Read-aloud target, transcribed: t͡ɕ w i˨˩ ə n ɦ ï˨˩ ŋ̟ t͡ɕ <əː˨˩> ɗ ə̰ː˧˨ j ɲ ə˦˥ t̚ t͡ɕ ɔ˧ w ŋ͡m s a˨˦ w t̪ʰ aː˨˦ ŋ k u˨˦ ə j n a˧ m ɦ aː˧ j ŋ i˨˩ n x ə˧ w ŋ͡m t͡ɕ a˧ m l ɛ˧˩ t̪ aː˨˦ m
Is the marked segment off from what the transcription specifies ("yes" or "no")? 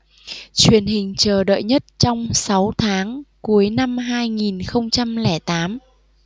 no